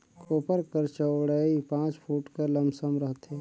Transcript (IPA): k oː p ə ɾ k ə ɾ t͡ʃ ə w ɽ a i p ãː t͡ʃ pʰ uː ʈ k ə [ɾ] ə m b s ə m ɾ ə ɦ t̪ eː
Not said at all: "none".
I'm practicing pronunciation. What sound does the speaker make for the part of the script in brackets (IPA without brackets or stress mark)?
l